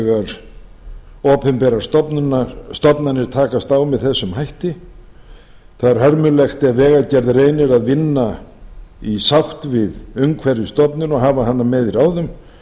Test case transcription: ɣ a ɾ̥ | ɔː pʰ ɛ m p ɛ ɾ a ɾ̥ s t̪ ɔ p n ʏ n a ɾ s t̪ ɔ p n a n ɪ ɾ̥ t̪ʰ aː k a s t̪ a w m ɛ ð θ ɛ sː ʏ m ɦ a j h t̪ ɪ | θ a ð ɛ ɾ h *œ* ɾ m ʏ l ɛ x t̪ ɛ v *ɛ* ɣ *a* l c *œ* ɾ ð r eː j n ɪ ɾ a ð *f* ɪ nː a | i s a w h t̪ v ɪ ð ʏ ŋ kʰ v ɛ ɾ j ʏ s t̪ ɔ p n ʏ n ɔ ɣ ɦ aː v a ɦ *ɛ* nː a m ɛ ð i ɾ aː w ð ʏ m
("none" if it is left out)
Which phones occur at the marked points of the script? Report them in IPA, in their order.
œ, ɛː, a, ɛ, v, a

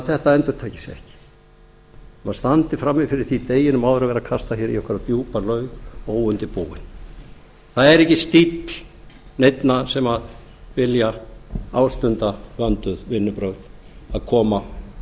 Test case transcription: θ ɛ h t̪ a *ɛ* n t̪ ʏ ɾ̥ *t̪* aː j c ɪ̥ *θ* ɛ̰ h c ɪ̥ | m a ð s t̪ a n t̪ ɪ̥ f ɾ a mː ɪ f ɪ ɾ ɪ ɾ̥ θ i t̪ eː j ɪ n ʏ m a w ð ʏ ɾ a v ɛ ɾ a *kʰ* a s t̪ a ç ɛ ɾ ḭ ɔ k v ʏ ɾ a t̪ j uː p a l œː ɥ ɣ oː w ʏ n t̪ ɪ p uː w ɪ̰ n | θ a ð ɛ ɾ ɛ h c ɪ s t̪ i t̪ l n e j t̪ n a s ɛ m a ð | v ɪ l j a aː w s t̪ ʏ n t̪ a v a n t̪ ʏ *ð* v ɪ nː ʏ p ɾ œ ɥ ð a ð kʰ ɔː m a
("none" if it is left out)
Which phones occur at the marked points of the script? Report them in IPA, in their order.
ɛ, t̪ʰ, s, kʰ, ð

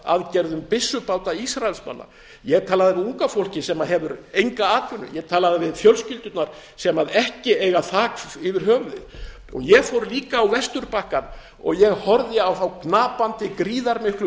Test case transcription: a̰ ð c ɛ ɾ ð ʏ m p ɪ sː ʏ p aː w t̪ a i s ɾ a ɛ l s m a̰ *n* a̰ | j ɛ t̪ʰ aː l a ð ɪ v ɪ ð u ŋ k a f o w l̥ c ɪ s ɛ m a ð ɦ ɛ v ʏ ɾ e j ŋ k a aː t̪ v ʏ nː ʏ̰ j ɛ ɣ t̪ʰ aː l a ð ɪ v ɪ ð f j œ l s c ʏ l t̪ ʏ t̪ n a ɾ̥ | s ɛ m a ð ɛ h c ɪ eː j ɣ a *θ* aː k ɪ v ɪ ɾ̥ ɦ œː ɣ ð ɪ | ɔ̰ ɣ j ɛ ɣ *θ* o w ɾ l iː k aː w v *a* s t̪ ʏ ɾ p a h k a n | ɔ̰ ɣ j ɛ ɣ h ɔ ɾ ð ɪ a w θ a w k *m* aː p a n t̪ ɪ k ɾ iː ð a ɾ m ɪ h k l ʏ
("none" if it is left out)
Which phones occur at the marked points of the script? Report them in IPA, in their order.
nː, θ, f, ɛ, n

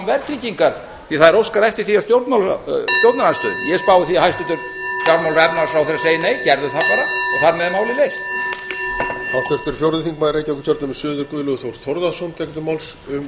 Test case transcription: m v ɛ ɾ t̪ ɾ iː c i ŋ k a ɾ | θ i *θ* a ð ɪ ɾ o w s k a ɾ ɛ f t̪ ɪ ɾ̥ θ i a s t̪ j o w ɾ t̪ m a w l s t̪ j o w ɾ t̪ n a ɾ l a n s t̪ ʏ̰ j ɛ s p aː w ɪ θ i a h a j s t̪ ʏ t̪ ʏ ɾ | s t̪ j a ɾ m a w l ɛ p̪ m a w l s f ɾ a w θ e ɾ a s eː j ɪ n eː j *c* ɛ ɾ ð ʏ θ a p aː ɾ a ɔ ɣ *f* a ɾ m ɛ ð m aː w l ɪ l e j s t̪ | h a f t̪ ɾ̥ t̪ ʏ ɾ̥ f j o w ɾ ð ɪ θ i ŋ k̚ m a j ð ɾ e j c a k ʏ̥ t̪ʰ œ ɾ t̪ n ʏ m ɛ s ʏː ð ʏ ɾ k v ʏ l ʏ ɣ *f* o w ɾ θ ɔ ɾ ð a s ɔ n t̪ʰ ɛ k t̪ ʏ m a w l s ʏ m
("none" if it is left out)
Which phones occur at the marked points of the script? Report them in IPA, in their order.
θ, c, θ, θ

